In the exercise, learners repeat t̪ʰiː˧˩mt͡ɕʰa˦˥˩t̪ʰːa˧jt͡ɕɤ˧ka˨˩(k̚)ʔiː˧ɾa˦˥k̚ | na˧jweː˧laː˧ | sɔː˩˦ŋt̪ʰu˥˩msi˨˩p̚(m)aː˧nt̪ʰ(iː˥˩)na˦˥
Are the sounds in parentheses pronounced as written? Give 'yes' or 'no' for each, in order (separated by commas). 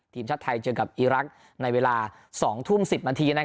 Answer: no, no, no